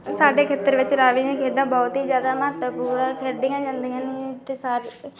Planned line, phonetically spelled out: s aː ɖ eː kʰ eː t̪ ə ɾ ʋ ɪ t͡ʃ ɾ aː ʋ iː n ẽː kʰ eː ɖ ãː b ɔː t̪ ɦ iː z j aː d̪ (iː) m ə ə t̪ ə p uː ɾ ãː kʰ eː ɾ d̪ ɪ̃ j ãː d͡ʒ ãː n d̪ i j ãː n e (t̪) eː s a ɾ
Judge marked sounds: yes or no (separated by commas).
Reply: no, yes